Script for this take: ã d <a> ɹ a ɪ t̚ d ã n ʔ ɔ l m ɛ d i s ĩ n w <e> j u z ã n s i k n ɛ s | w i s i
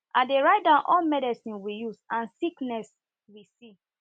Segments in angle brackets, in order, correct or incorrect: incorrect: e, incorrect: i

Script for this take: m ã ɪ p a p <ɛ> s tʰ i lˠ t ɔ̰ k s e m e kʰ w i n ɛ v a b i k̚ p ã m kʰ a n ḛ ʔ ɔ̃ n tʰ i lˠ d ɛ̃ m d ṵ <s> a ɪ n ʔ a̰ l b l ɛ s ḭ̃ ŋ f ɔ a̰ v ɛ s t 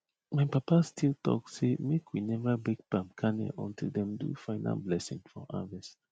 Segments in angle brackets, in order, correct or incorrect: incorrect: a, incorrect: f

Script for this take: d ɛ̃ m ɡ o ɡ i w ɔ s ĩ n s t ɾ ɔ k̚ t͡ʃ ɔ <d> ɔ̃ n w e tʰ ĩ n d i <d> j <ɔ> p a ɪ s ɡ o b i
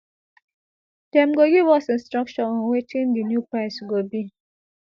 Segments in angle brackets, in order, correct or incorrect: incorrect: none, incorrect: n, incorrect: u

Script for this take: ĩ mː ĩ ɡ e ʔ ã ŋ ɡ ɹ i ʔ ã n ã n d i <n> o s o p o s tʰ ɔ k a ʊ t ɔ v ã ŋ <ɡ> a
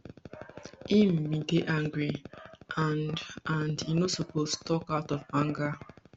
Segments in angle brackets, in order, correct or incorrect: correct, correct

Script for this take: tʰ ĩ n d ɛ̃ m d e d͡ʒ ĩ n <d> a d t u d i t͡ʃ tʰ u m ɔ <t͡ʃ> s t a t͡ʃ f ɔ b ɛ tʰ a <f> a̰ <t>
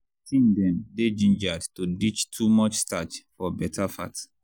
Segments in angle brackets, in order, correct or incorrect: incorrect: d͡ʒ, correct, correct, correct

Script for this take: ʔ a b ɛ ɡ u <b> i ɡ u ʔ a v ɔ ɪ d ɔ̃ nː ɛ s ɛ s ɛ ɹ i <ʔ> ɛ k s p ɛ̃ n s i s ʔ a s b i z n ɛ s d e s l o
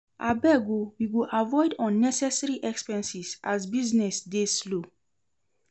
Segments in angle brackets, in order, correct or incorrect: incorrect: w, correct

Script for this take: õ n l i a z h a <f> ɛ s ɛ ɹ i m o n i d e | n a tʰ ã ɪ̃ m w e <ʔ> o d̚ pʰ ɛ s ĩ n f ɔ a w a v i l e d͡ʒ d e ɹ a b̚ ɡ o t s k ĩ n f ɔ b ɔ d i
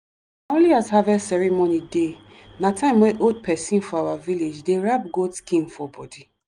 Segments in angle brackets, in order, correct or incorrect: incorrect: v, correct

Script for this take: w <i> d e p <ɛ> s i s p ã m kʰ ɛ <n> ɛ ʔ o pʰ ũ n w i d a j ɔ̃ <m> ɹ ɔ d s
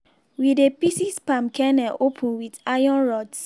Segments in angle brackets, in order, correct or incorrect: correct, incorrect: i, correct, incorrect: n

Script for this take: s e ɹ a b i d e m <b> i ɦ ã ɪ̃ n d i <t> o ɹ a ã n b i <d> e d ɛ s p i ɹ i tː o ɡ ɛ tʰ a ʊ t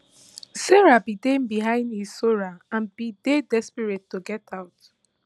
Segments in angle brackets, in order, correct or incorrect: correct, incorrect: s, correct

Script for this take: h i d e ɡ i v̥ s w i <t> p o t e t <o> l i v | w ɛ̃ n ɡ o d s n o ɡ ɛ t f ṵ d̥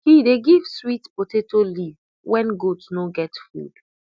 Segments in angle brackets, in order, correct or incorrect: correct, correct

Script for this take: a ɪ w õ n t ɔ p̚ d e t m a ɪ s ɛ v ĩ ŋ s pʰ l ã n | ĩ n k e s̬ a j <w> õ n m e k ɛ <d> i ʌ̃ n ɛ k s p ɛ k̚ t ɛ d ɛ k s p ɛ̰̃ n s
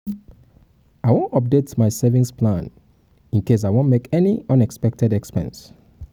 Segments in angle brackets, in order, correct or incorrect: correct, incorrect: n

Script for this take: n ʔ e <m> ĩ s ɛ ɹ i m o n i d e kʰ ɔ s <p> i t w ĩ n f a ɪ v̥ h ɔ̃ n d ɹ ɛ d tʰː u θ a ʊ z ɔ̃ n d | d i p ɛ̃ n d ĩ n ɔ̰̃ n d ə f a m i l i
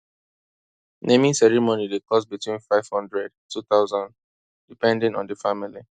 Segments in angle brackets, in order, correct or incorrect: correct, incorrect: b

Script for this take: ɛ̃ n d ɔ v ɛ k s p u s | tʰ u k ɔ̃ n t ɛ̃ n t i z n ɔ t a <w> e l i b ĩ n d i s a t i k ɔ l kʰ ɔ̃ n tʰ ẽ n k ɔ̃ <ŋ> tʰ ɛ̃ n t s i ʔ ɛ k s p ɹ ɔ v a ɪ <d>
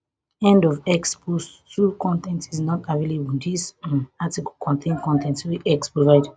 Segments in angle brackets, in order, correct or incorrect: incorrect: v, incorrect: n, correct

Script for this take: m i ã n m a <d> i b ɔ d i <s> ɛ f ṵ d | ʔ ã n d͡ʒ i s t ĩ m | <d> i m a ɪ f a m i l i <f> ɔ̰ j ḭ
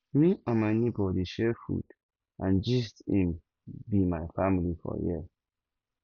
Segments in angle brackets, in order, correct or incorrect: incorrect: n, incorrect: ʃ, incorrect: b, correct

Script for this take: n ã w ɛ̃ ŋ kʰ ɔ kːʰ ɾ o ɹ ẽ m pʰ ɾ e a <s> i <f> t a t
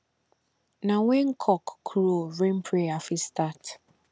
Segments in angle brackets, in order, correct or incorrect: incorrect: f, incorrect: s

